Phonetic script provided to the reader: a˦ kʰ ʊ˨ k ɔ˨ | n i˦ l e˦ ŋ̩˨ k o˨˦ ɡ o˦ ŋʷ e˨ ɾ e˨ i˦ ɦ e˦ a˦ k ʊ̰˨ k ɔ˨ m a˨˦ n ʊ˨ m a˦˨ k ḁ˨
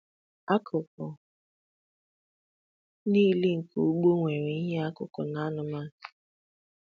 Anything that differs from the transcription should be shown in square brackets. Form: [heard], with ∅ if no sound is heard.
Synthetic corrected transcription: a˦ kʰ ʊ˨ k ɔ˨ | n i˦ l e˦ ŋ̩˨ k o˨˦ [ɡ͡b] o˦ ŋʷ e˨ ɾ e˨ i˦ ɦ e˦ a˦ k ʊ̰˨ k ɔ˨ [n] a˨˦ n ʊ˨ m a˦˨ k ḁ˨